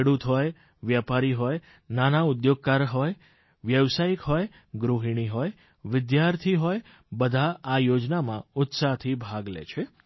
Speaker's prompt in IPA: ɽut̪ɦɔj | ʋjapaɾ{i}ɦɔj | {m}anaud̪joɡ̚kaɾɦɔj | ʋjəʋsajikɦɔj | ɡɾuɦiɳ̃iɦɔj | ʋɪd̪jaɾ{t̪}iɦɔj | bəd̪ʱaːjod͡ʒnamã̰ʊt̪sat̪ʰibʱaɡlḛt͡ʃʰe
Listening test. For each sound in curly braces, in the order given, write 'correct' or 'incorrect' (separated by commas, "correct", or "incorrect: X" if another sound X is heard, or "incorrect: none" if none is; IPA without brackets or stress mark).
correct, incorrect: n, incorrect: t̪ʰ